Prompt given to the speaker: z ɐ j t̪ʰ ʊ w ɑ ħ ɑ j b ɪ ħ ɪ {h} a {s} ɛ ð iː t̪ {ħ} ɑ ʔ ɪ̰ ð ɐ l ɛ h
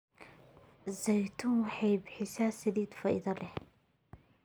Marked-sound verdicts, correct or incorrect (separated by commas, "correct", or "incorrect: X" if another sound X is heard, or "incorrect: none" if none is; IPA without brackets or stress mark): incorrect: s, correct, incorrect: f